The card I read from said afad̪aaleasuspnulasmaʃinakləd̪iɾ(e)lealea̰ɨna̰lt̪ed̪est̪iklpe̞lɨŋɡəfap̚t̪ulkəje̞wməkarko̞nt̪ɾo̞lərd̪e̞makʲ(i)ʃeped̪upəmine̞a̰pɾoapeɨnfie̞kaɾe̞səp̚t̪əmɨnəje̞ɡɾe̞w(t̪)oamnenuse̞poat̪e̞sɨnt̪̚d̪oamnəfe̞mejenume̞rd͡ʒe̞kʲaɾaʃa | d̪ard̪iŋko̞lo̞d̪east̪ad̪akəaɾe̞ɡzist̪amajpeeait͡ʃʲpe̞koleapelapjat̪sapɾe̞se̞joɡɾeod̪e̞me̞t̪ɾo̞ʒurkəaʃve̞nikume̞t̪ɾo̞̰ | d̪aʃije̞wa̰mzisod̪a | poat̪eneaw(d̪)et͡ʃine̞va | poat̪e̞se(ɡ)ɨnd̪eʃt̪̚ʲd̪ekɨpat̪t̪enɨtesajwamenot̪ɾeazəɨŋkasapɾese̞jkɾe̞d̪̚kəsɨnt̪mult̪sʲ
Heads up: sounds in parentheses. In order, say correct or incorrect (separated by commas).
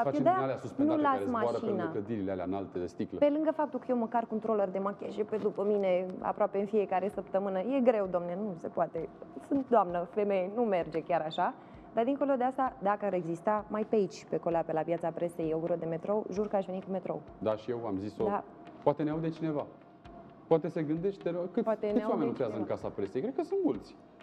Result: incorrect, incorrect, incorrect, correct, correct